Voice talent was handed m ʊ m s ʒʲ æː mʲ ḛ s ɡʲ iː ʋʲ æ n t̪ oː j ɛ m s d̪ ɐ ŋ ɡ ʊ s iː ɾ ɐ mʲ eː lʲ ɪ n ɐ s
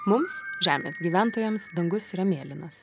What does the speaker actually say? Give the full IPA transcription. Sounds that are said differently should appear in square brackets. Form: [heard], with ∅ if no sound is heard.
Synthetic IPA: m ʊ m s ʒʲ æː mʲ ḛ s ɡʲ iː ʋʲ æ n t̪ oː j ɛ m s d̪ ɐ ŋ ɡ ʊ s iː ɾ ɐ mʲ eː lʲ ɪ n ɐ s

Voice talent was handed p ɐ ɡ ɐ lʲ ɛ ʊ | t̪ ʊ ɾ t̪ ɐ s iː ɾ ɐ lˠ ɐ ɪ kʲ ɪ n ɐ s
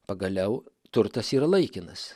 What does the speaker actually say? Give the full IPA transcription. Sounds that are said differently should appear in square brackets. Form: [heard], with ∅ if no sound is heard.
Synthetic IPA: p ɐ ɡ ɐ lʲ ɛ ʊ | t̪ ʊ ɾ t̪ ɐ s iː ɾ ɐ lˠ ɐ ɪ kʲ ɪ n ɐ s

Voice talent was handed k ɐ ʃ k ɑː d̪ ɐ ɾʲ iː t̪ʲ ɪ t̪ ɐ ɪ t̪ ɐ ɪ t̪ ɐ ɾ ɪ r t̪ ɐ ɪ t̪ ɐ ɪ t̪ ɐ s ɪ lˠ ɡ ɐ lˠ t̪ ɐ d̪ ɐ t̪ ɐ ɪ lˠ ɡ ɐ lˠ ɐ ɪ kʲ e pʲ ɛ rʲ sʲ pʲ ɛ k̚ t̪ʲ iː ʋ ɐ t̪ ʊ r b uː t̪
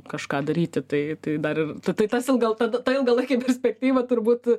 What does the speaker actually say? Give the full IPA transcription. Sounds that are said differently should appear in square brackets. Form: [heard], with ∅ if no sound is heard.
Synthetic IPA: k ɐ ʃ k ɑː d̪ ɐ ɾʲ iː t̪ʲ ɪ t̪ ɐ ɪ t̪ ɐ ɪ [d̪] ɐ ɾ ɪ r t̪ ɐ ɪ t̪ ɐ ɪ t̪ ɐ s ɪ lˠ ɡ ɐ lˠ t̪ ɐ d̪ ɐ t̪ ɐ ɪ lˠ ɡ ɐ lˠ ɐ ɪ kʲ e pʲ ɛ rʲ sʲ pʲ ɛ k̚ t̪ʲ iː ʋ ɐ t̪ ʊ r b uː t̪

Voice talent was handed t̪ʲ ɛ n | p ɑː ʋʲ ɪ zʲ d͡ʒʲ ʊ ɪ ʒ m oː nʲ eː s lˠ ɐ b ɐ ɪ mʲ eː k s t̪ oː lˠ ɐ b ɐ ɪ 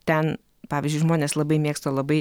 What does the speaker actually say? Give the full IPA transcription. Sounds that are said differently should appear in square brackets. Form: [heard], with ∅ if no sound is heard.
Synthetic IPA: t̪ʲ ɛ n | p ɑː ʋʲ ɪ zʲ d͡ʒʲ ʊ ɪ ʒ m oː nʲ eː s lˠ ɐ b ɐ ɪ mʲ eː k s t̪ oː lˠ ɐ b ɐ ɪ

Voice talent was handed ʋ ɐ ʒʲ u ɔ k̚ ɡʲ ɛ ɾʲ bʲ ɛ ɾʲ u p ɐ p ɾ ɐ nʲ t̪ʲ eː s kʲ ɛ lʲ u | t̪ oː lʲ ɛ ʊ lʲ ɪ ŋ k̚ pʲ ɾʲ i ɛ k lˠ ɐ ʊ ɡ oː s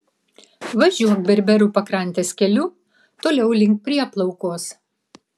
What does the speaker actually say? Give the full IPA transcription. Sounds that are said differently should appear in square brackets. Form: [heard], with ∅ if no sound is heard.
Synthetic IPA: ʋ ɐ ʒʲ u ɔ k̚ [bʲ] ɛ ɾʲ bʲ ɛ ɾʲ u p ɐ [k] ɾ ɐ nʲ t̪ʲ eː s kʲ ɛ lʲ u | t̪ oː lʲ ɛ ʊ lʲ ɪ ŋ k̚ pʲ ɾʲ i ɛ [p] lˠ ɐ ʊ [k] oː s

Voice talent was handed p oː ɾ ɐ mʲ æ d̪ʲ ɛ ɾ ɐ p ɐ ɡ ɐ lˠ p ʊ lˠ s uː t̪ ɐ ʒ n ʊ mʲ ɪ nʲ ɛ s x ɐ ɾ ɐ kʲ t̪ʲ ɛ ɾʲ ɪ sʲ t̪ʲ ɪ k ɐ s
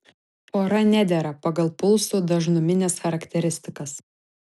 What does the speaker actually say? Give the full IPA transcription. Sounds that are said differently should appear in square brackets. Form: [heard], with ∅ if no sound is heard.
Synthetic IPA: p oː ɾ ɐ [nʲ] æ d̪ʲ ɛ ɾ ɐ p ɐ ɡ ɐ lˠ p ʊ lˠ s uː [d̪] ɐ ʒ n ʊ mʲ ɪ nʲ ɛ s x ɐ ɾ ɐ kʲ t̪ʲ ɛ ɾʲ ɪ sʲ t̪ʲ ɪ k ɐ s

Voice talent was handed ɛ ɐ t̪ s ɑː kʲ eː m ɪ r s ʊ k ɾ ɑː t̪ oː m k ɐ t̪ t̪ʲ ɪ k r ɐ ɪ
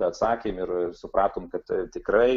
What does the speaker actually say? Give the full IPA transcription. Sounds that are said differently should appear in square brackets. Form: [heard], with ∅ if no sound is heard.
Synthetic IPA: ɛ ɐ t̪ s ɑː kʲ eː m ɪ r s ʊ [p] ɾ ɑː t̪ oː m k ɐ t̪ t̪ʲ ɪ k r ɐ ɪ

